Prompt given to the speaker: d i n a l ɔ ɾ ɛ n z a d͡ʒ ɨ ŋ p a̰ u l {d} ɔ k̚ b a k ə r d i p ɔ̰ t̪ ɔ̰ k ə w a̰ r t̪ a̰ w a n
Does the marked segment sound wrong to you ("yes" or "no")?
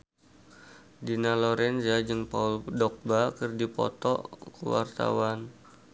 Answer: no